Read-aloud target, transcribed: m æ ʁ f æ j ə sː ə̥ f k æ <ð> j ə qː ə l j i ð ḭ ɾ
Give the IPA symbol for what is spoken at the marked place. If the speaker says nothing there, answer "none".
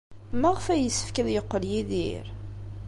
ð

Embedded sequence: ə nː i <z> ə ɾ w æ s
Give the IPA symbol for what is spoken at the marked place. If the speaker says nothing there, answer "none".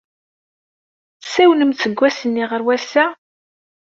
ʁ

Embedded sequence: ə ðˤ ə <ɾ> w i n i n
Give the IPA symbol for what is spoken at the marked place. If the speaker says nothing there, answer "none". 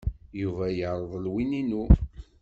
l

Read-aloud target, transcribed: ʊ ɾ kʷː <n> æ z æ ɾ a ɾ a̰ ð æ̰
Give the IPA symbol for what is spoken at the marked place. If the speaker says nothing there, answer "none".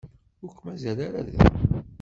m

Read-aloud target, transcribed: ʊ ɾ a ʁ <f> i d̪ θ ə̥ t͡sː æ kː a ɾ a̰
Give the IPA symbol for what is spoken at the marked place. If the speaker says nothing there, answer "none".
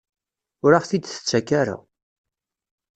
θ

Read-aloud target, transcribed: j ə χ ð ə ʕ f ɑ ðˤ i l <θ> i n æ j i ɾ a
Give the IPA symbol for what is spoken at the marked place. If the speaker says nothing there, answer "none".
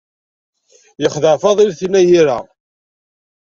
θ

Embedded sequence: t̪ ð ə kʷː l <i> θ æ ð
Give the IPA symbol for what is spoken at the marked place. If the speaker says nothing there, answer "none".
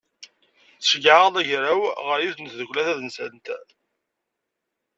æ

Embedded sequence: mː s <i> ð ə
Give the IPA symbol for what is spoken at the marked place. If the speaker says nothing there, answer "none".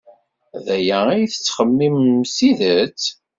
i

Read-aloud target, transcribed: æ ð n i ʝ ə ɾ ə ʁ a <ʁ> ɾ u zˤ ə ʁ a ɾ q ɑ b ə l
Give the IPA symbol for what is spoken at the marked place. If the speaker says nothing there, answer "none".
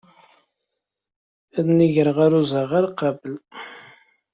none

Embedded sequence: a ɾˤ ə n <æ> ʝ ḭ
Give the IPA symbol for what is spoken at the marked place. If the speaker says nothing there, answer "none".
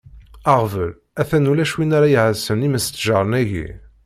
æ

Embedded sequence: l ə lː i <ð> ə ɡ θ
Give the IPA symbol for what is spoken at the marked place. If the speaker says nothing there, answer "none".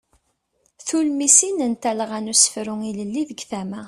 ð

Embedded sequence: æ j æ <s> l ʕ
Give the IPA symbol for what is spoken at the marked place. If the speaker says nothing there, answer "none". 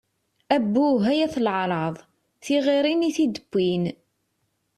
θ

